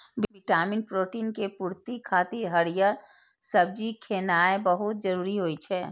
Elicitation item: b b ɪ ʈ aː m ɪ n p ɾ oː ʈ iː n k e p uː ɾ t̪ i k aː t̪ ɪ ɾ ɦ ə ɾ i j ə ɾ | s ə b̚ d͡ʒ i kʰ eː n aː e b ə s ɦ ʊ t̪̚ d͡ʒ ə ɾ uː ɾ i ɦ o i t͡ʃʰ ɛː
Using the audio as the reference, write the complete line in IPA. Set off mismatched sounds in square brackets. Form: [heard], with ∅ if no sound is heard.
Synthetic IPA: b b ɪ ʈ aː m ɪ n p ɾ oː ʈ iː n k e p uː ɾ t̪ i [kʰ] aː t̪ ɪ ɾ ɦ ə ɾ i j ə ɾ | s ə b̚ d͡ʒ i kʰ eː n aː e b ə [∅] ɦ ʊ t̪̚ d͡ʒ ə ɾ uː ɾ i ɦ o i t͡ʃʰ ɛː